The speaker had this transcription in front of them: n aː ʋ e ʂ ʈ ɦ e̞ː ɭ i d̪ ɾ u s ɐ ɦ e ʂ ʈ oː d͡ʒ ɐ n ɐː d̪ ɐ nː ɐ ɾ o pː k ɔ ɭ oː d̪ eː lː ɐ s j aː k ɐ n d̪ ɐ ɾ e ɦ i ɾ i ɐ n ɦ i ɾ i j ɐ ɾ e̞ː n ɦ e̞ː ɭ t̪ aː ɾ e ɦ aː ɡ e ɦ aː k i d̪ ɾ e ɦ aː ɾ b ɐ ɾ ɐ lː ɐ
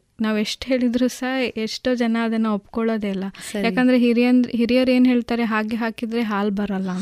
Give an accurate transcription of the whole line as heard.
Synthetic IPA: n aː ʋ e ʂ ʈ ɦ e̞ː ɭ i d̪ ɾ u s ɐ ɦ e ʂ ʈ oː d͡ʒ ɐ n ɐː d̪ ɐ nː ɐ o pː k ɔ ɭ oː d̪ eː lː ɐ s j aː k ɐ n d̪ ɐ ɾ e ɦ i ɾ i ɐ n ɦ i ɾ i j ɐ ɾ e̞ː n ɦ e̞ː ɭ t̪ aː ɾ e ɦ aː ɡ e ɦ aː k i d̪ ɾ e ɦ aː l b ɐ ɾ ɐ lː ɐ